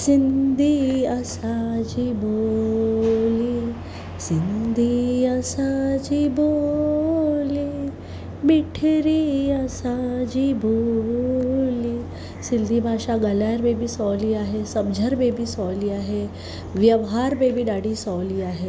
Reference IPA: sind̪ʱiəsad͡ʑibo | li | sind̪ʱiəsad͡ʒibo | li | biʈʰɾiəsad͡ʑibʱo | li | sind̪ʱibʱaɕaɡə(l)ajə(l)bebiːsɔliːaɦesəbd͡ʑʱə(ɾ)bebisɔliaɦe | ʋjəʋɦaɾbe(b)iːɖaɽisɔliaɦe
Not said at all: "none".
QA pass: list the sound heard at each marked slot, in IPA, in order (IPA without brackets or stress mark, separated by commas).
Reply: l, ɾ, ɾ, b